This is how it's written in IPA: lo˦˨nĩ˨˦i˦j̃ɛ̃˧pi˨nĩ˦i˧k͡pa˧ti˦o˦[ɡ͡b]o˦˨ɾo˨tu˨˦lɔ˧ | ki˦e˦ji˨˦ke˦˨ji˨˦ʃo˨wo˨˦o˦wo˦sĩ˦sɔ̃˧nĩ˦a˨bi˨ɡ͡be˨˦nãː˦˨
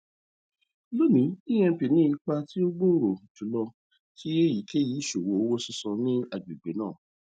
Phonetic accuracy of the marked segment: correct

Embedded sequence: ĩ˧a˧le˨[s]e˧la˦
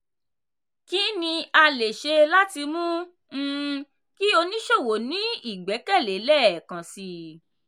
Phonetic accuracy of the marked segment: incorrect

